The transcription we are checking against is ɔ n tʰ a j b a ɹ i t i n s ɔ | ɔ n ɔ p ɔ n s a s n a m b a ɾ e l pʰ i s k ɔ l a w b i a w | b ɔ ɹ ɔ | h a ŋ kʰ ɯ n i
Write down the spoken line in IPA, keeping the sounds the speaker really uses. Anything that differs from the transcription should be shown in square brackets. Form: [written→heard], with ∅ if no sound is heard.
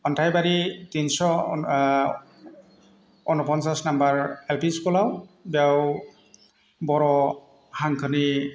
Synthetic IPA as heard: ɔ n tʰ a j b a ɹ i t i n s ɔ | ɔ n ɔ p ɔ n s a s n a m b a [ɾ→ɹ] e l [pʰ→p] i s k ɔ l a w b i a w | b ɔ ɹ ɔ | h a ŋ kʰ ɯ n i